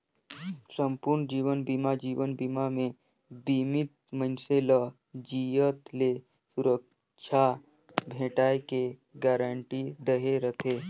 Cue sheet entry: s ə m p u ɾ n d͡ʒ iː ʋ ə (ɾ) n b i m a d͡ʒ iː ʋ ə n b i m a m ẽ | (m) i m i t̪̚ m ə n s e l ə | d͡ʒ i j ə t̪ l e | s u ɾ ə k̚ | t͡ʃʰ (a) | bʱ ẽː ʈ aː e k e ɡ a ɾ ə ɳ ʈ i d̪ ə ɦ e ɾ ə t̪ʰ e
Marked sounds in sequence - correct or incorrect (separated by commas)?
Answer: incorrect, incorrect, correct